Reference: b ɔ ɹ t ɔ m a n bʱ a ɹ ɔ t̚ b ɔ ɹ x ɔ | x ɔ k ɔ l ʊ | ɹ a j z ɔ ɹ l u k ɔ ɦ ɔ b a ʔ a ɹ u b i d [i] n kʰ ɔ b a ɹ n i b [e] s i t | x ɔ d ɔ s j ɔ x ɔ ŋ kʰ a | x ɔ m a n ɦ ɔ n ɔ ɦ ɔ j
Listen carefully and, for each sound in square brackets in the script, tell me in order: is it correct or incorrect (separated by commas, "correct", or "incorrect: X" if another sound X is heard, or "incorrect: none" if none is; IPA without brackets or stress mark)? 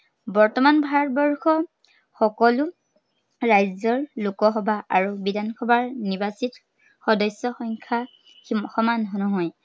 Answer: incorrect: a, incorrect: a